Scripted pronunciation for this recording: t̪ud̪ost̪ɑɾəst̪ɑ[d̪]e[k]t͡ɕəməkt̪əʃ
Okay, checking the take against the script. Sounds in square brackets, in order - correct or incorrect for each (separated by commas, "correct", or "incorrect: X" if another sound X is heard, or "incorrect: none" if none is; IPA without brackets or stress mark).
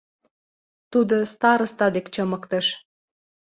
correct, correct